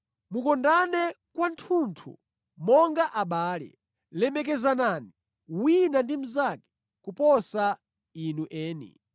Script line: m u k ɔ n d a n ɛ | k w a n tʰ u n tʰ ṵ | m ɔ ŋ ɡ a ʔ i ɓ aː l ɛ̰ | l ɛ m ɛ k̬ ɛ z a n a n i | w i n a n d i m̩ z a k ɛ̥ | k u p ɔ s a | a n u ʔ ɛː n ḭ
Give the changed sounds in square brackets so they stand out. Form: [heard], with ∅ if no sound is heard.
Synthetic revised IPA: m u k ɔ n d a n ɛ | k w a n tʰ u n tʰ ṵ | m ɔ ŋ ɡ a ʔ [a] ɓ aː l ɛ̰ | l ɛ m ɛ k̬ ɛ z a n a n i | w i n a n d i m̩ z a k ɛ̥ | k u p ɔ s a | [i] n u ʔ ɛː n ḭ